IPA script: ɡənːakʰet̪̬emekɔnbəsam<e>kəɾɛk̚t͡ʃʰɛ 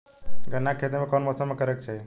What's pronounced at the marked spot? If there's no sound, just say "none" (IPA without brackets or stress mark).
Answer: e